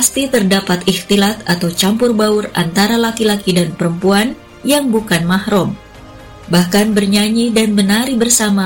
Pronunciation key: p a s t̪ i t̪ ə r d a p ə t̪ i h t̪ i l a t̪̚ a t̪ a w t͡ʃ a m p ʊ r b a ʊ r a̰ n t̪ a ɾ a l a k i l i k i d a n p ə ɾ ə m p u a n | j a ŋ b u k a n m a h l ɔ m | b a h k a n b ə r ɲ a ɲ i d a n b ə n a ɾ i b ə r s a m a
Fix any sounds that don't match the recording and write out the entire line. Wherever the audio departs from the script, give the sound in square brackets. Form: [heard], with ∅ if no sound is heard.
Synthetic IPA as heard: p a s t̪ i t̪ ə r d a p [a] t̪ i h t̪ i l a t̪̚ a t̪ a w t͡ʃ a m p ʊ r b a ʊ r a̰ n t̪ a ɾ a l a k i l [a] k i d a n p ə ɾ ə m p u a n | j a ŋ b u k a n m a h [ɾ] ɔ m | b a h k a n b ə r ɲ a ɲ i d a n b ə n a ɾ i b ə r s a m a